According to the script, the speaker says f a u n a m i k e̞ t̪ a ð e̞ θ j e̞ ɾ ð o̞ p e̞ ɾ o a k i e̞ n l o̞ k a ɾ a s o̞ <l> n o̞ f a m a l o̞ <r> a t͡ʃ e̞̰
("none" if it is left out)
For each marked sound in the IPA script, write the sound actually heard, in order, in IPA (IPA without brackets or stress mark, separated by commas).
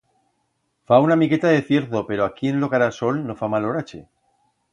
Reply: l, ɾ